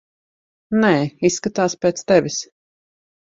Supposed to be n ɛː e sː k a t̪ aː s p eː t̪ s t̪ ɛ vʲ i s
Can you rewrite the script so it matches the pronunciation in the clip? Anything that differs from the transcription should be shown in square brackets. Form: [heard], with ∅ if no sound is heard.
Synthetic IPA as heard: n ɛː [i] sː k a t̪ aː s p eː t̪ s t̪ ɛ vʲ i s